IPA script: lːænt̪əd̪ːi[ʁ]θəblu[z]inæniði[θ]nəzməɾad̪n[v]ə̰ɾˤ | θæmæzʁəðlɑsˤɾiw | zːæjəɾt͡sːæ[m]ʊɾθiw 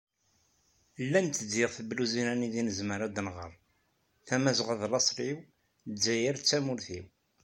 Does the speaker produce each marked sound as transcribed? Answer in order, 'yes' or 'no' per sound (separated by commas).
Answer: yes, yes, no, no, yes